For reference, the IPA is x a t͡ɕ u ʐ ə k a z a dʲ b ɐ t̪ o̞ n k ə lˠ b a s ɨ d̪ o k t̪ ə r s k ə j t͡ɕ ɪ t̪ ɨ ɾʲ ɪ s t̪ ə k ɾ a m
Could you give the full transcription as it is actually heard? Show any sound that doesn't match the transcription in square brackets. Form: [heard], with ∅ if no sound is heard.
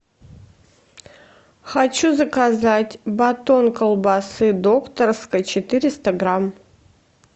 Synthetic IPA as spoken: x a t͡ɕ u [z] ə k a z a [tʲ] b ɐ t̪ o̞ n k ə lˠ b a s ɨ d̪ o k t̪ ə r s k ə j t͡ɕ ɪ t̪ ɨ ɾʲ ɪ s t̪ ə [ɡ] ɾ a m